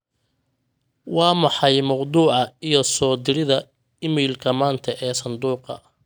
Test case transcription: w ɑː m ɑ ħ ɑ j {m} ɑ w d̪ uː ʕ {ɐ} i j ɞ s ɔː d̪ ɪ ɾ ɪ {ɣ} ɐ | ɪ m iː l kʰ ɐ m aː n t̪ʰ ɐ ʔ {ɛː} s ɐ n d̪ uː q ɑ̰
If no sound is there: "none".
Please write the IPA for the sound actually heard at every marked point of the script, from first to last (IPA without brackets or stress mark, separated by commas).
m, ɑ, ð, ɛː